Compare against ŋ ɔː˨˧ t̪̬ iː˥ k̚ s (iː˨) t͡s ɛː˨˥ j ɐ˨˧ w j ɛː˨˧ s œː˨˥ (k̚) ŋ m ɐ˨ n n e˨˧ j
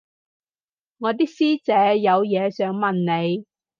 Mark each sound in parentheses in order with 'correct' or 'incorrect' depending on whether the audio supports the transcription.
incorrect: iː˥, incorrect: none

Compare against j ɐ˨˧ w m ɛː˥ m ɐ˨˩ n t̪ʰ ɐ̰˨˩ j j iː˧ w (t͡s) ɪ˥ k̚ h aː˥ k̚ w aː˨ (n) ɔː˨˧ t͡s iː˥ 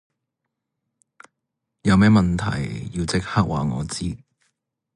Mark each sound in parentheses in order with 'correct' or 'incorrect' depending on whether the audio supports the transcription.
correct, incorrect: ŋ

